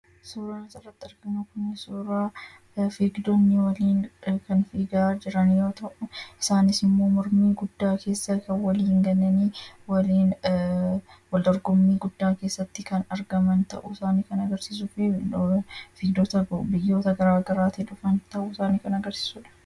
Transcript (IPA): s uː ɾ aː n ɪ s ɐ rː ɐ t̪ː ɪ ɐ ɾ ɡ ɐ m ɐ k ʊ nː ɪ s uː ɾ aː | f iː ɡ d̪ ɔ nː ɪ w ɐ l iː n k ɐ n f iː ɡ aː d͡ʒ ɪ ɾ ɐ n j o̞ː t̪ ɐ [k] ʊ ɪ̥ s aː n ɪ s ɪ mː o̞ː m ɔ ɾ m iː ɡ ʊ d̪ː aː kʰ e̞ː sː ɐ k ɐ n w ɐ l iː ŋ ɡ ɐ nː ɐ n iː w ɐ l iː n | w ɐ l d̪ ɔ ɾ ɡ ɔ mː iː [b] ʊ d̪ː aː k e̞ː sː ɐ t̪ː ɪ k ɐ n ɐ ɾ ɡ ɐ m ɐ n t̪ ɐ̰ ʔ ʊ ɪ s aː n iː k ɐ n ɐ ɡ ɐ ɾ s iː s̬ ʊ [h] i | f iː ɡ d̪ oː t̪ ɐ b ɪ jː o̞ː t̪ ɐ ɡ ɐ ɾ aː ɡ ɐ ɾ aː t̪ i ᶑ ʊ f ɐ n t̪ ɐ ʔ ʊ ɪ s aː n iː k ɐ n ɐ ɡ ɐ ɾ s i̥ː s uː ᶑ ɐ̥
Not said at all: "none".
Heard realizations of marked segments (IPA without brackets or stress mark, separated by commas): ʔ, ɡ, f